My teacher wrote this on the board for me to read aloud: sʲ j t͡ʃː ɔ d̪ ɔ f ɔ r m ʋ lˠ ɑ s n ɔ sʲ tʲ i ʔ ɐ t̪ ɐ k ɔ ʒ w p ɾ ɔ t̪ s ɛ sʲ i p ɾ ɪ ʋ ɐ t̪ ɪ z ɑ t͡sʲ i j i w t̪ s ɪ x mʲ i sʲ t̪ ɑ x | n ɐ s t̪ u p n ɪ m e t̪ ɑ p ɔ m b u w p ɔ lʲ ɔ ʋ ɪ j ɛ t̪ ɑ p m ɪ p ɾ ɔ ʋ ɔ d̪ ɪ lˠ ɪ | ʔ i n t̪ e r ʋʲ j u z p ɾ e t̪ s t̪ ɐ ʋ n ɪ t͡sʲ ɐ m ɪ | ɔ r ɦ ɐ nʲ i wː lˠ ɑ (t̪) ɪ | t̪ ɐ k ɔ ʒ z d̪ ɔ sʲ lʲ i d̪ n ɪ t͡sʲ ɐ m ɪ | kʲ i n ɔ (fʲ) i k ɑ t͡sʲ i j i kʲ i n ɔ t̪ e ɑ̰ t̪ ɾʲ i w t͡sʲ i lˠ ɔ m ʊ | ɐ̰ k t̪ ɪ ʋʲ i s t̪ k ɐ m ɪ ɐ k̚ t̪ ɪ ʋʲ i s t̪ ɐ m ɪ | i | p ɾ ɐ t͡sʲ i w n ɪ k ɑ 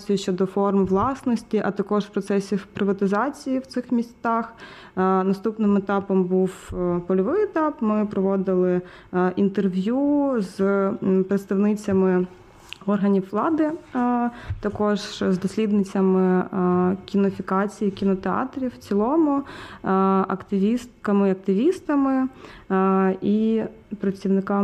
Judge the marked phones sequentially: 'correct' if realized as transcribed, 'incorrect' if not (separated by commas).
incorrect, correct